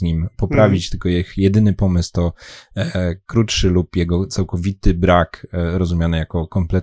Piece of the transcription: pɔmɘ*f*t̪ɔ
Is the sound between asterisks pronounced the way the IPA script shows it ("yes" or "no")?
no